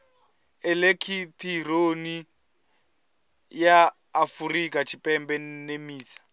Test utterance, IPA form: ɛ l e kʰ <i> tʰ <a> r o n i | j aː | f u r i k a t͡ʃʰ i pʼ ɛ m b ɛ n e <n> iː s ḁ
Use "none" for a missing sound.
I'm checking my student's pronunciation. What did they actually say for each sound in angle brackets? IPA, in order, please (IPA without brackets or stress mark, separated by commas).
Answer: i, i, m